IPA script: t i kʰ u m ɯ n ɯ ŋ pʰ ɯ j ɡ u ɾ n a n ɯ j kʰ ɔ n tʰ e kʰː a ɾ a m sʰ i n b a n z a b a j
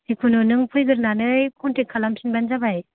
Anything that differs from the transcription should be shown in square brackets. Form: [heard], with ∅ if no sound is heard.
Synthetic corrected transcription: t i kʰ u [n] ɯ n ɯ ŋ pʰ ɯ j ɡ [ɯ] ɾ n a n ɯ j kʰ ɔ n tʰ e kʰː a [l] a m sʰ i n b a n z a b a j